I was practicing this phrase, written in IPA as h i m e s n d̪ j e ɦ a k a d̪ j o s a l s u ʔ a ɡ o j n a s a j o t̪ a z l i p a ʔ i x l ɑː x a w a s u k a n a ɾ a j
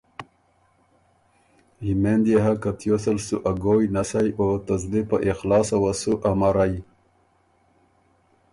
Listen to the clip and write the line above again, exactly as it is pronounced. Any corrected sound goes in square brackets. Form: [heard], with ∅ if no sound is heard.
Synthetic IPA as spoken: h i m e [∅] n d̪ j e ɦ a k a [t̪] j o s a l s u ʔ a ɡ o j n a s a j o t̪ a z l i p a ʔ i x l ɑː [s] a w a s u [ʔ] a [m] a ɾ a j